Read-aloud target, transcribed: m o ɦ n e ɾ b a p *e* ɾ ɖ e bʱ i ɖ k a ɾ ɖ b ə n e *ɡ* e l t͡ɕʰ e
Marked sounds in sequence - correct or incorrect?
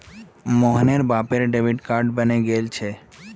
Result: correct, correct

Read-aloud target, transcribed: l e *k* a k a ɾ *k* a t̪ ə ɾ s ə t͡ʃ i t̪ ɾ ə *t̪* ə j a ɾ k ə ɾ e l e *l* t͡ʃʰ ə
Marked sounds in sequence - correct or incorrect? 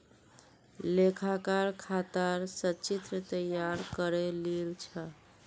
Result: incorrect: kʰ, incorrect: kʰ, correct, correct

